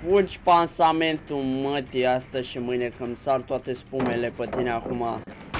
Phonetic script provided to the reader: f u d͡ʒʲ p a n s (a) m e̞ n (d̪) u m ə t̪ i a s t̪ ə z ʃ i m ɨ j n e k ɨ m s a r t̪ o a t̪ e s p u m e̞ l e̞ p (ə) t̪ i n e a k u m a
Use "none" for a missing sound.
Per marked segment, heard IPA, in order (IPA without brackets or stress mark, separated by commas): a, t̪, ə